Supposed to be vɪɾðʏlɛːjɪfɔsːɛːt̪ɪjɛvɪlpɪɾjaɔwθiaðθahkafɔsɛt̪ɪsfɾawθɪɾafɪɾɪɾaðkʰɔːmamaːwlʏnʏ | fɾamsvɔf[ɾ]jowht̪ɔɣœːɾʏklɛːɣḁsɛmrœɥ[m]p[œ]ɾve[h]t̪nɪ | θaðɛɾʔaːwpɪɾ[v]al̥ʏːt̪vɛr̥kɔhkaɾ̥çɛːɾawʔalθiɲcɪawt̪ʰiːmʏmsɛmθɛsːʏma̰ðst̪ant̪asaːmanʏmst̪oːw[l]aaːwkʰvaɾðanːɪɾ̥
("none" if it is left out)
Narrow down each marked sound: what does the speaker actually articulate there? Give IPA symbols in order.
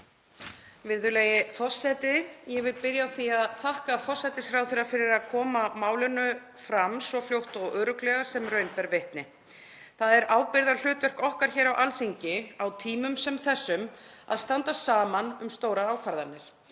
l, n, ɛ, h, ð, ɾ

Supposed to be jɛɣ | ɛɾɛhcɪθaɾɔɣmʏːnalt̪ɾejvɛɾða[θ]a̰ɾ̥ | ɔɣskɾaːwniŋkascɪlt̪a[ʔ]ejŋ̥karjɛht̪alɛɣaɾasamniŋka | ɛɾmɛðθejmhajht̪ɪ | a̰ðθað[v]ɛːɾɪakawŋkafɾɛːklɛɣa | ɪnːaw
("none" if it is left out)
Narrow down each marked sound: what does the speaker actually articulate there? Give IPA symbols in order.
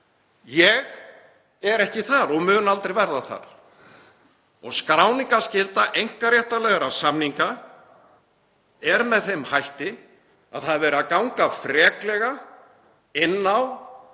θ, ʔ, v

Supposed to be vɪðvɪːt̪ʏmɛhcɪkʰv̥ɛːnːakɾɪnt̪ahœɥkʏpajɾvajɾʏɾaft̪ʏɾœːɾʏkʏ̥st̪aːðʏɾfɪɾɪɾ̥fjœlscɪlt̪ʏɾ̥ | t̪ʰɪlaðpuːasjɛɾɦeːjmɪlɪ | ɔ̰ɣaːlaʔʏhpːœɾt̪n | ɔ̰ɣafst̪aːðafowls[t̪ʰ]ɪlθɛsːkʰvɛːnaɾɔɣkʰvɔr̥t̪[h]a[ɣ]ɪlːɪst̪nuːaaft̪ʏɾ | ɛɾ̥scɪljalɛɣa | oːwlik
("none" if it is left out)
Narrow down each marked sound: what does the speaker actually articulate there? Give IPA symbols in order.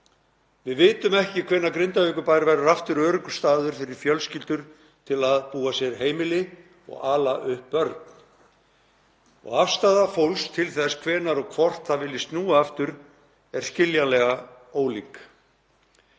t̪ʰ, θ, v

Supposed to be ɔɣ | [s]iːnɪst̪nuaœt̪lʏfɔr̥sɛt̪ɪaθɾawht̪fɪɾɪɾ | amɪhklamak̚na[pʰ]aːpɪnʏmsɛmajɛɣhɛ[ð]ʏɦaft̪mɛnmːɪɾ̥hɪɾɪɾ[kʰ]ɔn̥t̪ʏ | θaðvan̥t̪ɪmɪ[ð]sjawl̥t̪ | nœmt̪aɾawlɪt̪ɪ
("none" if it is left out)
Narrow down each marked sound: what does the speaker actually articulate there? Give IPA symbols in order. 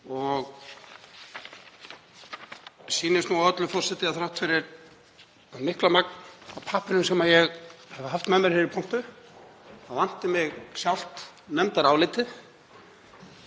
s, pʰ, v, pʰ, ɣ

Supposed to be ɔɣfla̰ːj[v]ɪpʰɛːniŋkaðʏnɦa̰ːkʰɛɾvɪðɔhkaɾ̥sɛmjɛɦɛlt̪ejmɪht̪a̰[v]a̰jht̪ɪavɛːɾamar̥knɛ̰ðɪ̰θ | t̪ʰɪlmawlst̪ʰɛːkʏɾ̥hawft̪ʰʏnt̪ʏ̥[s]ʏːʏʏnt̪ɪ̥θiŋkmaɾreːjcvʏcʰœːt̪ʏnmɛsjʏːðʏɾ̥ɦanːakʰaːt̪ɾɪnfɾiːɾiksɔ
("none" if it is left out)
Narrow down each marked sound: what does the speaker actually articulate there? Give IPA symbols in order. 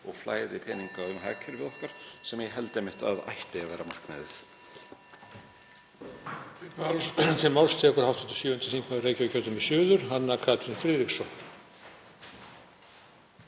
ð, ð, s

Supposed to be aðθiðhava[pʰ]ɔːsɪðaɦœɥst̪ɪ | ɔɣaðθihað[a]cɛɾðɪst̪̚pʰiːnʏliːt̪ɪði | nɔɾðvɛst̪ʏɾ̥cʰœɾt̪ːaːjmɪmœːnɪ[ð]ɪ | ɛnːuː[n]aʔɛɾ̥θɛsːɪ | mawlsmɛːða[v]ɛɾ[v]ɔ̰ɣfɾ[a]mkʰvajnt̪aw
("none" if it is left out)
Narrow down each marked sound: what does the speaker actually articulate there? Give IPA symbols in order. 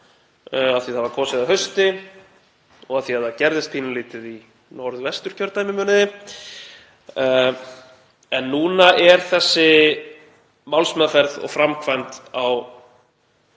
kʰ, a, ð, n, f, ð, a

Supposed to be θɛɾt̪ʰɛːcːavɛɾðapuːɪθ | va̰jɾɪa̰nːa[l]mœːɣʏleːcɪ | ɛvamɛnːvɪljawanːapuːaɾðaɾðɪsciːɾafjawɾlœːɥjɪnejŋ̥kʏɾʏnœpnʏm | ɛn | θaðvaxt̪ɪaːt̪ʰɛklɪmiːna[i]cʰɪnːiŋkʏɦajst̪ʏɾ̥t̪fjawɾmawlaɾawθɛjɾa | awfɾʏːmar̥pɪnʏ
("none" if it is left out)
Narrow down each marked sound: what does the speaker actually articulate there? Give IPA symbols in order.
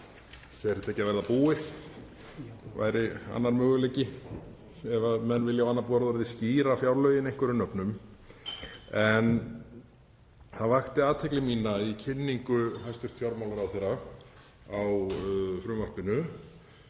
ɾ, i

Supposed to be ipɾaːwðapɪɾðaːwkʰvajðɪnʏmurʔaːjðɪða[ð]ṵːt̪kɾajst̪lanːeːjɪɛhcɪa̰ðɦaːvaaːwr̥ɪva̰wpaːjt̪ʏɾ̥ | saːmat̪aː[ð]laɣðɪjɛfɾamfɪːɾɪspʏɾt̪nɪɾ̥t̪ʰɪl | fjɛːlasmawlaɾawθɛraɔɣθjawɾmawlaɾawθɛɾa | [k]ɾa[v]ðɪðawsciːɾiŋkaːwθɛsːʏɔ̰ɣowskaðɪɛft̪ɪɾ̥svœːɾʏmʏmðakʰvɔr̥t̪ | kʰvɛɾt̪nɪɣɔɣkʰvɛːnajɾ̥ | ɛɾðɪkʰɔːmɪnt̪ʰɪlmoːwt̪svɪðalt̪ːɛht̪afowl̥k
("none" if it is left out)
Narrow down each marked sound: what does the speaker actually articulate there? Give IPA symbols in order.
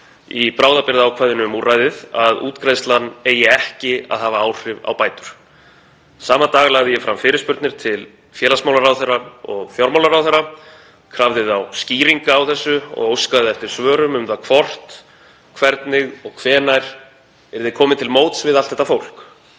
ð, ɣ, kʰ, v

